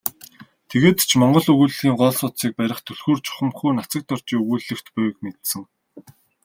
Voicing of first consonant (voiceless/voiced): voiceless